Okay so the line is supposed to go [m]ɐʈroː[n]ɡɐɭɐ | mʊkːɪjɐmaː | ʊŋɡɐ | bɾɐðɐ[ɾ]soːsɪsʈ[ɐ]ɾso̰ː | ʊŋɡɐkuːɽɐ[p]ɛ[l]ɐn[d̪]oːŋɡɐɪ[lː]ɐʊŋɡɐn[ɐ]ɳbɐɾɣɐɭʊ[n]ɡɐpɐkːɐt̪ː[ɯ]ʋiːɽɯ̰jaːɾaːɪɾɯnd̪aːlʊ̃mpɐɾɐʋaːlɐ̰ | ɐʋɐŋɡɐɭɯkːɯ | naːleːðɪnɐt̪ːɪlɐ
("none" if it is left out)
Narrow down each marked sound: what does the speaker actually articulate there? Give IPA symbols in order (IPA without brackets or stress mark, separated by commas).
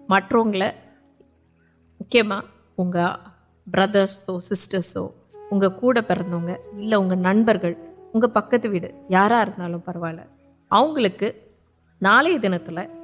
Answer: m, ŋ, ɾ, ɐ, p, ɾ, d̪, lː, ɐ, ŋ, ɯ